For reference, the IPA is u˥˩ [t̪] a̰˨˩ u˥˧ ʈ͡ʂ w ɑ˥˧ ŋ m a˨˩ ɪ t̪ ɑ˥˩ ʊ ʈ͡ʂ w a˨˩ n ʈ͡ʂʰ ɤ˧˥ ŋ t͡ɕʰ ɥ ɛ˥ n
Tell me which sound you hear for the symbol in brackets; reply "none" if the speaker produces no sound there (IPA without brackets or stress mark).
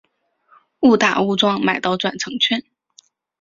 t̪